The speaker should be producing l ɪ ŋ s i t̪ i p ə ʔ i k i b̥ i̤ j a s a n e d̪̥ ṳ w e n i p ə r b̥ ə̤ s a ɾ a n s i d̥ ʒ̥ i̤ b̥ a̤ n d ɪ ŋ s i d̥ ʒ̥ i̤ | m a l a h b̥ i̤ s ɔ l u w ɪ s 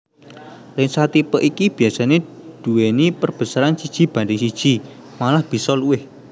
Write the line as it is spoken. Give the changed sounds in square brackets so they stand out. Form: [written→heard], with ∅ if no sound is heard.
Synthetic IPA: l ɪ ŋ s [i→a] t̪ i p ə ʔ i k i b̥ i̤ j a s a n e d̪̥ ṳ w e n i p ə r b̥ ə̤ s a ɾ a n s i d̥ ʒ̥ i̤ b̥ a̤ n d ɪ ŋ s i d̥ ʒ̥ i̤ | m a l a h b̥ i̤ s ɔ l u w ɪ [s→h]